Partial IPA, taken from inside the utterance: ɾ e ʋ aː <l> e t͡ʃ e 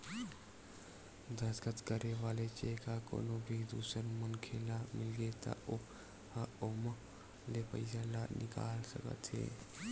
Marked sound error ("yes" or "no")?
no